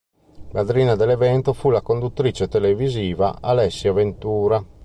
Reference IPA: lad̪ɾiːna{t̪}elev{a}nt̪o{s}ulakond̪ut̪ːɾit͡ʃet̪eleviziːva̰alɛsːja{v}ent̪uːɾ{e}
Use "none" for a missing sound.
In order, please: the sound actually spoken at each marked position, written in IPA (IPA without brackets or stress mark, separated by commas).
d̪, ɛ, f, v, a